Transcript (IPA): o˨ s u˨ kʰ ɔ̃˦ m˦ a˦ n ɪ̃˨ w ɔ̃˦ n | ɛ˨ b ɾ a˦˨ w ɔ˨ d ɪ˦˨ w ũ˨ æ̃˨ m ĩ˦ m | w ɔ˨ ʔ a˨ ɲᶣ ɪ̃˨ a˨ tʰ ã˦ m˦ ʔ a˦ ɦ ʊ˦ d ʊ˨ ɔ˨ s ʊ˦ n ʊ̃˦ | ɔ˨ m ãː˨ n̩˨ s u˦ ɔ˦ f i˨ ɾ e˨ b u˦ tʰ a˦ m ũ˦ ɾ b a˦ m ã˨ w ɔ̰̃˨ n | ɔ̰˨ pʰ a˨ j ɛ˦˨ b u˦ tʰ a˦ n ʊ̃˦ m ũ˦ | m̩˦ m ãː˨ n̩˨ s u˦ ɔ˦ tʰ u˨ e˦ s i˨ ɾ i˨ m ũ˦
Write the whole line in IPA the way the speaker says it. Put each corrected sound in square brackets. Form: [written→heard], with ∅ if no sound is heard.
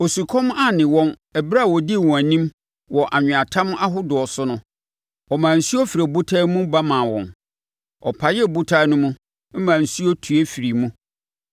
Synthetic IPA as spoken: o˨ s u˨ kʰ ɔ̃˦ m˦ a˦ n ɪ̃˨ w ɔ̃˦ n | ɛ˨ b ɾ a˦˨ w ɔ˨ d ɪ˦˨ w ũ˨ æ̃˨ [m→n] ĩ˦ m | w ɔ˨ ʔ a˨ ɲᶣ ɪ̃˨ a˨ tʰ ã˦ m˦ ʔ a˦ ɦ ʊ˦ d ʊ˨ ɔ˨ s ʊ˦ n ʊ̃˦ | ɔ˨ m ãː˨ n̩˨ s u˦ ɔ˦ f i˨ ɾ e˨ b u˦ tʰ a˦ m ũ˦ [ɾ→∅] b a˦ m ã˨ w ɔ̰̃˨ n | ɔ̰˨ pʰ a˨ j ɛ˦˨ b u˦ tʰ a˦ n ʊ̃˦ m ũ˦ | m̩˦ m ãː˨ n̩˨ s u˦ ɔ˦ tʰ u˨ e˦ [s→f] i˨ ɾ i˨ m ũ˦

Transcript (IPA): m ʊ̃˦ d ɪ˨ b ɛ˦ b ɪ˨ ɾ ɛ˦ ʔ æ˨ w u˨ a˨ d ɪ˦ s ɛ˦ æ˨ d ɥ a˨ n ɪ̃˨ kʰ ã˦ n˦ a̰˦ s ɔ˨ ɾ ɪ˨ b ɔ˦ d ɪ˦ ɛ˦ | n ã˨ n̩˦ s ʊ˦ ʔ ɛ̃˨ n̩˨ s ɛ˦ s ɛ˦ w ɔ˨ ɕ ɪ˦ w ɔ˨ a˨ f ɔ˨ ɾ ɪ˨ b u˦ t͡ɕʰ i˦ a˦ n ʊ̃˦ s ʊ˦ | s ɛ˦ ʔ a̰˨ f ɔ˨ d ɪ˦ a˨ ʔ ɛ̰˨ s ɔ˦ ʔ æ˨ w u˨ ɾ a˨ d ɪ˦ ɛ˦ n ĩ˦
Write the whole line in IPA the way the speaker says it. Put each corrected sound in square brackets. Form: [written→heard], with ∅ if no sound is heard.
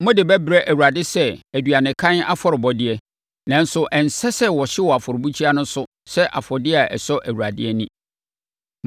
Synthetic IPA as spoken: m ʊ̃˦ d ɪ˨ b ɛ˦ b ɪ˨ ɾ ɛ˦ ʔ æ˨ w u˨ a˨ d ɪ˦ s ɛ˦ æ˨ d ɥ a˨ n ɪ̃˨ kʰ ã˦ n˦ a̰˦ [s→f] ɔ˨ ɾ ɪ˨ b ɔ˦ d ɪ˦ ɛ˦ | n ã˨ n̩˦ s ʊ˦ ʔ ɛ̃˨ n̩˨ s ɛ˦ s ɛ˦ w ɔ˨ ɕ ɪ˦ w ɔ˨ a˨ f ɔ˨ ɾ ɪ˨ b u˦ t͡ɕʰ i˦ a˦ n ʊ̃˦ s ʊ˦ | s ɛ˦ ʔ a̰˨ f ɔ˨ d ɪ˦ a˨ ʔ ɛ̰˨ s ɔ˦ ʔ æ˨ w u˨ ɾ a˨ d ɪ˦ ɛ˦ n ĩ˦

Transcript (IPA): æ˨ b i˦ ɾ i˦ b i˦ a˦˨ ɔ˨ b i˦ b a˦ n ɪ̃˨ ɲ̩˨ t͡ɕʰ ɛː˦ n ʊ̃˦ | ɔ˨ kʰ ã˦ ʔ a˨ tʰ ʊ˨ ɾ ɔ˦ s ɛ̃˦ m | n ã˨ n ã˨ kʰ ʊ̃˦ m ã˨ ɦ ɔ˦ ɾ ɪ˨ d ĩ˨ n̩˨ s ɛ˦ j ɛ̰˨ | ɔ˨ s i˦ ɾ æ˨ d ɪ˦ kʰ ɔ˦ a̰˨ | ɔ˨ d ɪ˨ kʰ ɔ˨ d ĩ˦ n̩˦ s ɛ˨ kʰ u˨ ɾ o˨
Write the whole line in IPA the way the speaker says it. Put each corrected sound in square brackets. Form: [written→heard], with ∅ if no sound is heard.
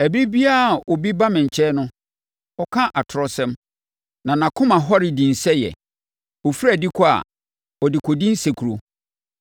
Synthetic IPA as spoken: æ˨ b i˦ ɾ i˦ b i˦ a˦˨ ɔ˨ b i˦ b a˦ [n→m] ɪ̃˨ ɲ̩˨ t͡ɕʰ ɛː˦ n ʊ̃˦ | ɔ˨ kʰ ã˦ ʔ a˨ tʰ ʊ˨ ɾ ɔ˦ s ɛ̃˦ m | n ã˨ n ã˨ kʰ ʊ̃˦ m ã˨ ɦ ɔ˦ ɾ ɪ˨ d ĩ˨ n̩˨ s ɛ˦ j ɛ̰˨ | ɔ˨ [s→f] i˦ ɾ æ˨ d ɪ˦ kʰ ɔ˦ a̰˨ | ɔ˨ d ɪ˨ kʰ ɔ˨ d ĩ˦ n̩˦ s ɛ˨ kʰ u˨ ɾ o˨

